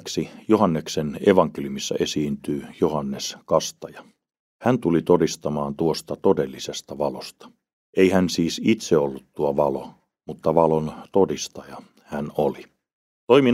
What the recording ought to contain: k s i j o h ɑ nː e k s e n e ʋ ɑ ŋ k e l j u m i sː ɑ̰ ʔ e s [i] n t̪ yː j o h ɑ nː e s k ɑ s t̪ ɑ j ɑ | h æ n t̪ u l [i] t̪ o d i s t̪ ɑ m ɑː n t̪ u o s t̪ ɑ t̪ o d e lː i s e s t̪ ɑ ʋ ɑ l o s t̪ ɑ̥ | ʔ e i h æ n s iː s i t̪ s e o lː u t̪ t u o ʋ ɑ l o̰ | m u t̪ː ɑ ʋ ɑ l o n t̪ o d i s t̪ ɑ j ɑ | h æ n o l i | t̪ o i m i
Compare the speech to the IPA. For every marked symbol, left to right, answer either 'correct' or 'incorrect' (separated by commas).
incorrect, correct